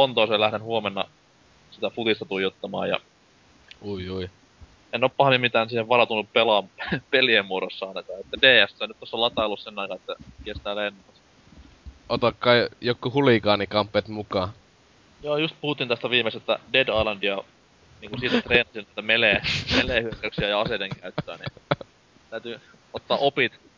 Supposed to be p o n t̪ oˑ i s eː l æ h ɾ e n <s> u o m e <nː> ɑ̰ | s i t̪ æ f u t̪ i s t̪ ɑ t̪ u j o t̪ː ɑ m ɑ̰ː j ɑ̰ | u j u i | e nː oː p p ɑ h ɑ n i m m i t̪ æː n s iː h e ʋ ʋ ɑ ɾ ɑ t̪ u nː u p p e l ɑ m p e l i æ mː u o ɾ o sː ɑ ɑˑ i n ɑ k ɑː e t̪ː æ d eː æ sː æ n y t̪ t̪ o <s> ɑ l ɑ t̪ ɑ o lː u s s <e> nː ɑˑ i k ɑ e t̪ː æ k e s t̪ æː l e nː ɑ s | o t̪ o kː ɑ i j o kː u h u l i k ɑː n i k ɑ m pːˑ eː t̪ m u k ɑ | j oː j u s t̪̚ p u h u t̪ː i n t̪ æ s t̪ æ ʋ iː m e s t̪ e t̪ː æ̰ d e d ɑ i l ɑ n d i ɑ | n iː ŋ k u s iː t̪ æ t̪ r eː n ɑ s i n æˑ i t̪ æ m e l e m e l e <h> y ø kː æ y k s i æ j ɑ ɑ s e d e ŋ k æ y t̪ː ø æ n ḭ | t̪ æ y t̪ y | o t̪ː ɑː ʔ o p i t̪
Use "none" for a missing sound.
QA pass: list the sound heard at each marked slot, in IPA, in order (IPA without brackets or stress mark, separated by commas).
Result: h, nː, sː, e, h